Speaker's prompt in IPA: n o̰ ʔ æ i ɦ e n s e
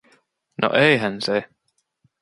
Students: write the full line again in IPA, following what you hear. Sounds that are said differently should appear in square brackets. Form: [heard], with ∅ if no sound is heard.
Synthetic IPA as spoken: n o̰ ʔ [e] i ɦ [æ] n s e